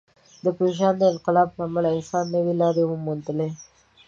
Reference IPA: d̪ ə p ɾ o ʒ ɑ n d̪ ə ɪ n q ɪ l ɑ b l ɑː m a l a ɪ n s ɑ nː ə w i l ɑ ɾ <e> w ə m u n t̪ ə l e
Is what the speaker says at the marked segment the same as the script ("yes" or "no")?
yes